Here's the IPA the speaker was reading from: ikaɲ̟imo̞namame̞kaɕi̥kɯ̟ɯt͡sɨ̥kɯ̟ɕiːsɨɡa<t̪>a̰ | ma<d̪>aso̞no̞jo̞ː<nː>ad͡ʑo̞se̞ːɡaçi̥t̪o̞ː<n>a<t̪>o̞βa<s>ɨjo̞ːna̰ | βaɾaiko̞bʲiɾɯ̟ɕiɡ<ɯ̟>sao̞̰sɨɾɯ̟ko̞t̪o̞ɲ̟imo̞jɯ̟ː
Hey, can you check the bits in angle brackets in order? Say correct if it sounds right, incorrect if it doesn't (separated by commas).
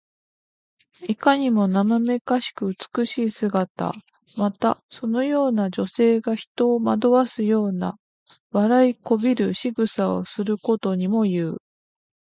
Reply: correct, incorrect, incorrect, incorrect, incorrect, correct, correct